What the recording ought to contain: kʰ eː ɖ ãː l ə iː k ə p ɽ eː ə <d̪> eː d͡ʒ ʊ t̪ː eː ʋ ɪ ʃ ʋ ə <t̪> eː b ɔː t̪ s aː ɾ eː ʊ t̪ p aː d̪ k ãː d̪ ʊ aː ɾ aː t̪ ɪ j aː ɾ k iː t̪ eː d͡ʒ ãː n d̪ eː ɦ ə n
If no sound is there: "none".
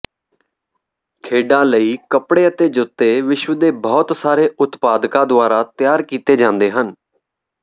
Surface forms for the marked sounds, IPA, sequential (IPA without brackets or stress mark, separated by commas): t̪, d̪